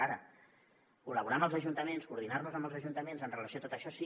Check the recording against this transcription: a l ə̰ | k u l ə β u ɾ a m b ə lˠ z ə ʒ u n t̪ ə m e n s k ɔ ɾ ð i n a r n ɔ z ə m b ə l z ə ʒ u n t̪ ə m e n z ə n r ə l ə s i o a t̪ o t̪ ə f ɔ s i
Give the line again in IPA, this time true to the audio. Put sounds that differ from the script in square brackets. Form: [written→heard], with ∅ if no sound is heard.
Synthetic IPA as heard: a [l→ɾ] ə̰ | k u l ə β u ɾ a m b ə lˠ z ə ʒ u n t̪ ə m e n s k [ɔ→u] ɾ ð i n a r n [ɔ→u] z ə m b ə l z ə ʒ u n t̪ ə m e n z ə n r ə l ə s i o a t̪ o t̪ ə [f→ʃ] ɔ s i